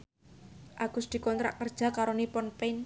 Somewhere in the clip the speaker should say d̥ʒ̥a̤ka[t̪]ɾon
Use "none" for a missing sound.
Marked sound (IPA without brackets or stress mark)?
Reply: none